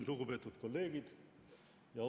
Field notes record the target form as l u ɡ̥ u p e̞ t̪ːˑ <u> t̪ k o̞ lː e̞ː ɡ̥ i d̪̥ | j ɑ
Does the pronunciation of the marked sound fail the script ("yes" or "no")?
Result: no